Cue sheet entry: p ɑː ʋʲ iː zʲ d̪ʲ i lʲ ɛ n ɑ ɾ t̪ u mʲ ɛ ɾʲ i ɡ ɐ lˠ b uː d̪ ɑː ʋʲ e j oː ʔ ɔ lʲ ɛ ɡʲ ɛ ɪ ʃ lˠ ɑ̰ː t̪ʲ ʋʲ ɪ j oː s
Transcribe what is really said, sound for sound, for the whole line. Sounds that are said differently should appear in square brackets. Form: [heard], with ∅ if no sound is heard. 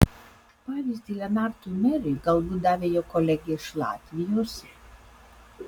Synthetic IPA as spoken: p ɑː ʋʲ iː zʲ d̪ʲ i lʲ ɛ n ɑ ɾ t̪ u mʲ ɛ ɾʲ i ɡ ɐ lˠ b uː d̪ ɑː ʋʲ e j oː [k] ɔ lʲ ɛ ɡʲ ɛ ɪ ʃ lˠ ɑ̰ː t̪ʲ ʋʲ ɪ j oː s